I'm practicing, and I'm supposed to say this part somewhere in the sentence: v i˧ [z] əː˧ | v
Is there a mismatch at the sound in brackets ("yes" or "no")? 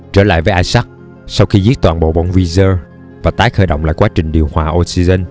no